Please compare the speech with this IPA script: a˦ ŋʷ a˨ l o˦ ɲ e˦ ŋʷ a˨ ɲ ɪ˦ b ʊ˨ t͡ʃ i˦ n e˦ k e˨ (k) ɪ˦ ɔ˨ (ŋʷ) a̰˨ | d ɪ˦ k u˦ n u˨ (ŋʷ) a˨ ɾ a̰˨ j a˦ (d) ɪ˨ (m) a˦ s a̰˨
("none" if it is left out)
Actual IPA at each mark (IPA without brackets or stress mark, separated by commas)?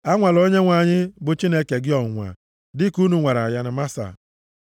ɡ, ŋʷ, ŋʷ, n, m